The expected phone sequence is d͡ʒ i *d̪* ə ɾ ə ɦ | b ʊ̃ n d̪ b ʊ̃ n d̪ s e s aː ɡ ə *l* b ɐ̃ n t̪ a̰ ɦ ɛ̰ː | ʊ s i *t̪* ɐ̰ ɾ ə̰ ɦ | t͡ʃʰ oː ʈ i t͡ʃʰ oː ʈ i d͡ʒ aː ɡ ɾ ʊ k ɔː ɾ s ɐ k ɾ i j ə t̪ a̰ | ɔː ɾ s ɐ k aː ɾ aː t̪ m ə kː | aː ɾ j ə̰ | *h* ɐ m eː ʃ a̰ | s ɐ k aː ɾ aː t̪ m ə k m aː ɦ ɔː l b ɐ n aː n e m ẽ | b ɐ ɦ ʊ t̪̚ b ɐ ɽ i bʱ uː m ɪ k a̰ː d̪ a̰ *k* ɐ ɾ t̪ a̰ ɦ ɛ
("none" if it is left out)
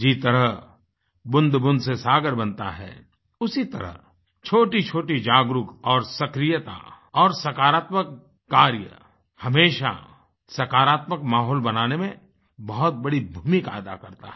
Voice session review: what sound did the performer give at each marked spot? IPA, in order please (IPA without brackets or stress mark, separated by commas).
t̪, ɾ, t̪, h, k